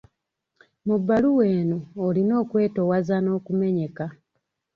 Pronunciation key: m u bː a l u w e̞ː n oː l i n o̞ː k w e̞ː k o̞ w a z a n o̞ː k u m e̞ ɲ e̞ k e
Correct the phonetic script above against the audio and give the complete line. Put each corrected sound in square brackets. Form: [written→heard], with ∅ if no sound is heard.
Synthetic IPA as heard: m u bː a l u w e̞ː n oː l i n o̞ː k w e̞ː [k→t] o̞ w a z a n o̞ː k u m e̞ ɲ e̞ k [e→a]